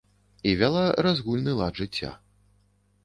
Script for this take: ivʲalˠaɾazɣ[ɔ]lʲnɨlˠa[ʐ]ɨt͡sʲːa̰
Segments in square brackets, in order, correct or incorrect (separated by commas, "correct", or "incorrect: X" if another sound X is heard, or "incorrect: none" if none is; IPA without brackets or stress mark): incorrect: u, correct